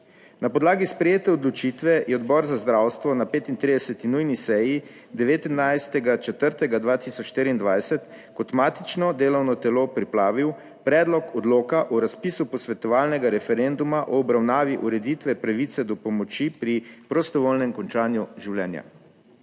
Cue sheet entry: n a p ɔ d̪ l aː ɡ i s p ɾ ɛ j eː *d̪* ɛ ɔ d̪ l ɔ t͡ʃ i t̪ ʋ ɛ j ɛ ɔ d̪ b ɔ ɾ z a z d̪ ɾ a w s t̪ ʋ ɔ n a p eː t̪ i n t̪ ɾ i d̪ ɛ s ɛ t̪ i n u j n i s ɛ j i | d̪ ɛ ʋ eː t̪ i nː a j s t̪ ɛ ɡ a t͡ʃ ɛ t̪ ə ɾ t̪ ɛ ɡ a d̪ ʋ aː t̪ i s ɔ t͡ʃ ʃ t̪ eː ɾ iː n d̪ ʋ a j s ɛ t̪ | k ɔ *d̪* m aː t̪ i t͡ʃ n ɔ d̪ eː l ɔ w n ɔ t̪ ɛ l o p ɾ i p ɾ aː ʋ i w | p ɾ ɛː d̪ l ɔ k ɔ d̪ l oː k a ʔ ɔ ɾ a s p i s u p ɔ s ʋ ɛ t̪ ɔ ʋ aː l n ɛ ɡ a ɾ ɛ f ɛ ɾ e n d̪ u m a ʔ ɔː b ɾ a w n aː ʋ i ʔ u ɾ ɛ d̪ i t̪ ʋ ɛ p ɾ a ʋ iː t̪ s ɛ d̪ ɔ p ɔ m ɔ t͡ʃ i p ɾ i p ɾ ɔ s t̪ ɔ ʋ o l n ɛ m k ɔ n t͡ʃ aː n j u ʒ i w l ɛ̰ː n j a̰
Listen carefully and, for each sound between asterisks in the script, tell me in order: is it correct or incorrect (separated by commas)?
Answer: incorrect, incorrect